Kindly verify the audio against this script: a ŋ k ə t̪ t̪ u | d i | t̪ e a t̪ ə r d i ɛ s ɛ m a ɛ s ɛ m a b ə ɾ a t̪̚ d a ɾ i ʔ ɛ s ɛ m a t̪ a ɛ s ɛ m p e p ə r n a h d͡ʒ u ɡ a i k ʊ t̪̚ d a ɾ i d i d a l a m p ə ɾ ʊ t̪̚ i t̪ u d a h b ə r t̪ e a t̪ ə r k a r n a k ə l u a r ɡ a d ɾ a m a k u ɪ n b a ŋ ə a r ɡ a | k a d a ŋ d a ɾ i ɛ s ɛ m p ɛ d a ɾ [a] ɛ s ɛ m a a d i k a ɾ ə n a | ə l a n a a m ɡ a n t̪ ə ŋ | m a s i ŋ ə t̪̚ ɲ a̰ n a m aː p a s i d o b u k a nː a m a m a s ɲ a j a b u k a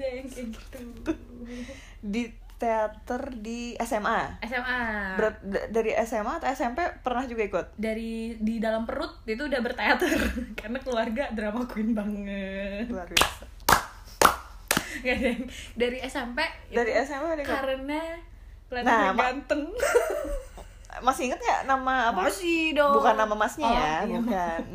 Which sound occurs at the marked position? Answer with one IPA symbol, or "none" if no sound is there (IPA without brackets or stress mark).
i